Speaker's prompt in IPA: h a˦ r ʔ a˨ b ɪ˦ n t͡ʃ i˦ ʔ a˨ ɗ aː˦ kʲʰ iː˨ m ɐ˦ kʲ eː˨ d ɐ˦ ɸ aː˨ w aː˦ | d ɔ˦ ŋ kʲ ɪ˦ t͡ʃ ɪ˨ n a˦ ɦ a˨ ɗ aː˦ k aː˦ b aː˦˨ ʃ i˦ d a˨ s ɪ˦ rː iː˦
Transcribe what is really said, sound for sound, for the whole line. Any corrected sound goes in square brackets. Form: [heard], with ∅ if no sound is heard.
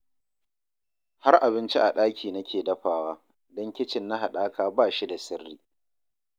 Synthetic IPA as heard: h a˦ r ʔ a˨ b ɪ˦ n t͡ʃ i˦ ʔ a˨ ɗ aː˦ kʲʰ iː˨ [n] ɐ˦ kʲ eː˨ d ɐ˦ ɸ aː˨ w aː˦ | d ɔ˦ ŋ kʲ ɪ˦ t͡ʃ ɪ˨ [nː] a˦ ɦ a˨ ɗ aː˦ k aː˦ b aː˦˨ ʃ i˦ d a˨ s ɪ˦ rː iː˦